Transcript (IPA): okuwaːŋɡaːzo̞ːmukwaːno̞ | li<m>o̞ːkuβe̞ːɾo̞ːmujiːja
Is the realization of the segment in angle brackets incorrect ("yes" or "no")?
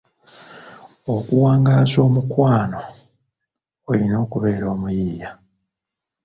yes